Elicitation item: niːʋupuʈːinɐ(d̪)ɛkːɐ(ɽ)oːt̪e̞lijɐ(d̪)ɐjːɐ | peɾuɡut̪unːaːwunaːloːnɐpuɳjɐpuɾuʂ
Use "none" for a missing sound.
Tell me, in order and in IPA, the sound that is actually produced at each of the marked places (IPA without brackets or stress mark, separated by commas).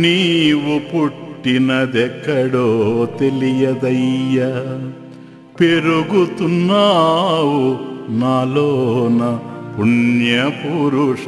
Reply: d̪, ɽ, d̪